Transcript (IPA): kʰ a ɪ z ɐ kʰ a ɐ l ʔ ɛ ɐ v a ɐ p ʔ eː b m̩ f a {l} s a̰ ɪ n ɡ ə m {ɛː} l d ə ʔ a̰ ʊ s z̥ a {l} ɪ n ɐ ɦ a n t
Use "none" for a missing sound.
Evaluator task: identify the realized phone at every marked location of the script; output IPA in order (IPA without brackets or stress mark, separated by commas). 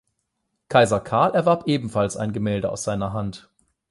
l, ɛː, none